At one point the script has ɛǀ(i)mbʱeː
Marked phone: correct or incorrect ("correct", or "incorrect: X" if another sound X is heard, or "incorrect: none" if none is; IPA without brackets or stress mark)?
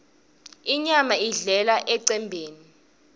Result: incorrect: ɛ